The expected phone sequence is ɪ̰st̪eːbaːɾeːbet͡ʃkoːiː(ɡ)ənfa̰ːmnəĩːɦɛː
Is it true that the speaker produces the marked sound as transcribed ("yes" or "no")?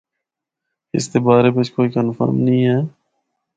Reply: no